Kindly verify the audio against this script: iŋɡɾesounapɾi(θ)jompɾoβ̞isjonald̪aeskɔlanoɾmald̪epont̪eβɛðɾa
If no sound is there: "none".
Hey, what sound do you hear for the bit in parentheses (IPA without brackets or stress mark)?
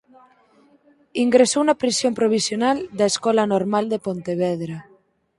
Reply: s